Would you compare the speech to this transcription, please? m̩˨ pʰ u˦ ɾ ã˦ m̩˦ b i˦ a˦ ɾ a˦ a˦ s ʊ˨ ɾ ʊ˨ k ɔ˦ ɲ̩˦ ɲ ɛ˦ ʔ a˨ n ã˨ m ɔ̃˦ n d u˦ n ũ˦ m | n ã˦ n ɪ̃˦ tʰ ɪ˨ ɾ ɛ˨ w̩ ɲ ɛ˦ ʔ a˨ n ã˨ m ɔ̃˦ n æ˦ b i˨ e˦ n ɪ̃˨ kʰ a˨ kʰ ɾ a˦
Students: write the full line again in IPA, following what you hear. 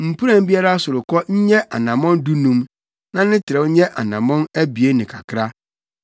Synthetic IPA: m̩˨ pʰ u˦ ɾ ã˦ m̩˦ b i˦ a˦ ɾ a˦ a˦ s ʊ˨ ɾ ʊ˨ k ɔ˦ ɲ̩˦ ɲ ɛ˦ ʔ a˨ n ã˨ m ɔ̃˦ n d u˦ n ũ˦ m | n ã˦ n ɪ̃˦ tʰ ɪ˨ ɾ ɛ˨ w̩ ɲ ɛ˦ ʔ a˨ n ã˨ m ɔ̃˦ n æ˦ b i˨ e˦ n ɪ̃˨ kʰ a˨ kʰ ɾ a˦